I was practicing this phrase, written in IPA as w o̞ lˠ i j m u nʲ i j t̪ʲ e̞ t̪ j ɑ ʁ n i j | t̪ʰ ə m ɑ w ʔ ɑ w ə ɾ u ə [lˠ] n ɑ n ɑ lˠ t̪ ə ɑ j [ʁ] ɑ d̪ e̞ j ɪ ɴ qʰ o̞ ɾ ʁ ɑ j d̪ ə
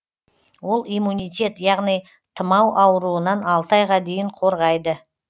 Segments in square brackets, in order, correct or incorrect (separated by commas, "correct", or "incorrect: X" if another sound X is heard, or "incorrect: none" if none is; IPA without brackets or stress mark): incorrect: none, correct